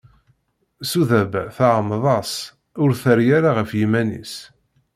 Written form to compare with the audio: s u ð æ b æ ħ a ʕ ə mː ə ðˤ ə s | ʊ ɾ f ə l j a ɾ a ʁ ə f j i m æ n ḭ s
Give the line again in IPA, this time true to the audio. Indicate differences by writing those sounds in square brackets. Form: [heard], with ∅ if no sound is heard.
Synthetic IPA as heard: s u ð æ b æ [θ] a ʕ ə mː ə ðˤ [ɑ] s | ʊ ɾ [θ] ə [ɾ] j a ɾ a ʁ ə f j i m æ n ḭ s